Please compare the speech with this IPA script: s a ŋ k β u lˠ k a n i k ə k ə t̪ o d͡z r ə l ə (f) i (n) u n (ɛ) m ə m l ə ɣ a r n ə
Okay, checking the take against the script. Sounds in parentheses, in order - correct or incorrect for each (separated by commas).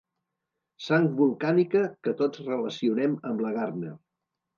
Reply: incorrect, incorrect, correct